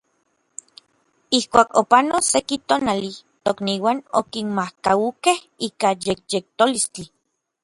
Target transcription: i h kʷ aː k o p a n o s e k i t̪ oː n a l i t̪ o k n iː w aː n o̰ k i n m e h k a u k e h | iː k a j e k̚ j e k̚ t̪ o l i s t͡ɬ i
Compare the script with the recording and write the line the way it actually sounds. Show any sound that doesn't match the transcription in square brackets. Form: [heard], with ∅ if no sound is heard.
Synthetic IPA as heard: i h kʷ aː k o p a n o s e k i t̪ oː n a l i t̪ o k n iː w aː n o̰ k i n m [a] h k a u k e h | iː k a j e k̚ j e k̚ t̪ o l i s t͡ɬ i